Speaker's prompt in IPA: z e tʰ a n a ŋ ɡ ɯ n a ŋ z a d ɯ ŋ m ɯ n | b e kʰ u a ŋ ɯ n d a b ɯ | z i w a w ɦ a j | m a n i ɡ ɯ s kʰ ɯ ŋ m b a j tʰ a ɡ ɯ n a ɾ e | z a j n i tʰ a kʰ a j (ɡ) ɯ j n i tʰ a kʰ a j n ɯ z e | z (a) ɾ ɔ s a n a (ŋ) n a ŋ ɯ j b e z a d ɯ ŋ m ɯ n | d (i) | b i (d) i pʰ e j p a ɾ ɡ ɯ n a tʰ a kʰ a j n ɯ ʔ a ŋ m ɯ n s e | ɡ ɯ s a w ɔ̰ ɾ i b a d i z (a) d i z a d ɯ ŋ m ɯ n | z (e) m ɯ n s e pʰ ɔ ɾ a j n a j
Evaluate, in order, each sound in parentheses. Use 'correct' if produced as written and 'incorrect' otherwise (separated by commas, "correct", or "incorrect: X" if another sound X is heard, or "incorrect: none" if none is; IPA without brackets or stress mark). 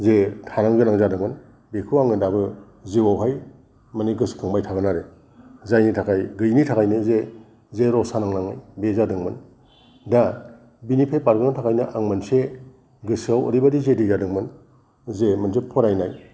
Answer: correct, incorrect: e, correct, incorrect: a, incorrect: n, incorrect: e, correct